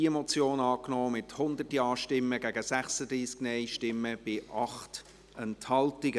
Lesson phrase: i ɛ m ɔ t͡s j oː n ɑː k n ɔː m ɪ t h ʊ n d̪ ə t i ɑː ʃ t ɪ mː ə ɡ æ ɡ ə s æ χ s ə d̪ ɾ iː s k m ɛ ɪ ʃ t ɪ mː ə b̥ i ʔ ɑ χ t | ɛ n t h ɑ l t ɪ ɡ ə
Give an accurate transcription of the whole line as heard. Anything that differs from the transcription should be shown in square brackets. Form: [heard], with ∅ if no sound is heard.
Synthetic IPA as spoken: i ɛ m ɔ t͡s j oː n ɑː k n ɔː m ɪ t h ʊ n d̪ ə t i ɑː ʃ t ɪ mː ə ɡ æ ɡ ə s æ χ s ə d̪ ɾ iː s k [n] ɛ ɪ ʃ t ɪ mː ə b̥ [ɪ] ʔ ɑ χ t | ɛ n t h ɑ l t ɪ ɡ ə